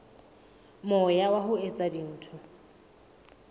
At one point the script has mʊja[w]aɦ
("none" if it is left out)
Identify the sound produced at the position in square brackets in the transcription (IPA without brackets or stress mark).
w